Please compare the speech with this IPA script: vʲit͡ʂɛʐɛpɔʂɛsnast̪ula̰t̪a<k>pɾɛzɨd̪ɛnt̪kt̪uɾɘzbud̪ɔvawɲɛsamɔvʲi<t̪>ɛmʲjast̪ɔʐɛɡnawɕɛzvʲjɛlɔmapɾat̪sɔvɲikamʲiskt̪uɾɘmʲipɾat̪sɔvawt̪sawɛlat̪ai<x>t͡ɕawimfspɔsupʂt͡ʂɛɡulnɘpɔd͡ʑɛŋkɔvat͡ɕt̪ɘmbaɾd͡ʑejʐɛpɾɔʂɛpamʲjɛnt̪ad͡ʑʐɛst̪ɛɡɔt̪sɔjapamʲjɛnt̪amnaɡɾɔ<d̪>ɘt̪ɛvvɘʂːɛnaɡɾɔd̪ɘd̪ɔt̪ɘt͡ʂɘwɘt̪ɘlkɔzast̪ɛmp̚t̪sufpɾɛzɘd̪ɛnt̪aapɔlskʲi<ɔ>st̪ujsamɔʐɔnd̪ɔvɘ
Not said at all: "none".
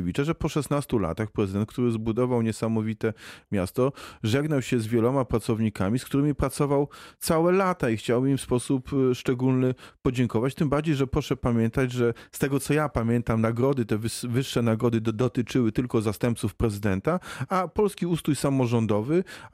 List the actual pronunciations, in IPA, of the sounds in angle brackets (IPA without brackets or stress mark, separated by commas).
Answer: x, t̪, x, d̪, u